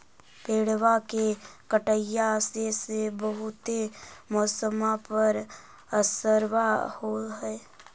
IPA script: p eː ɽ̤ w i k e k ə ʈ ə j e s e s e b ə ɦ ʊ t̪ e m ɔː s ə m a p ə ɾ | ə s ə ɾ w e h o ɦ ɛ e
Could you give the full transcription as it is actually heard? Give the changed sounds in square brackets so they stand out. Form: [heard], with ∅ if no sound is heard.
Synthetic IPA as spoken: p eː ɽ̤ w [a] k e k ə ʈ ə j [a] s e s e b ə ɦ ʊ t̪ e m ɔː s ə m a p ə ɾ | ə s ə ɾ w [a] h o ɦ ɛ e